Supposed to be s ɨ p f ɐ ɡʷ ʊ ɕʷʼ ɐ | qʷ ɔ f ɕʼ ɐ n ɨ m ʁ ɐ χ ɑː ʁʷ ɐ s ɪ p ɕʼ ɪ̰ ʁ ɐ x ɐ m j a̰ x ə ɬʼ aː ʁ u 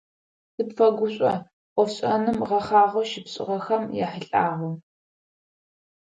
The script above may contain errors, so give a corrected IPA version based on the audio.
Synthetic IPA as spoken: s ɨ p f ɐ ɡʷ ʊ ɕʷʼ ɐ | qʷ ɔ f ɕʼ ɐ n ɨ m ʁ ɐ χ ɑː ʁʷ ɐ ʃ ɪ p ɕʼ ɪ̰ ʁ ɐ x ɐ m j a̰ ħ ə ɬʼ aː ʁ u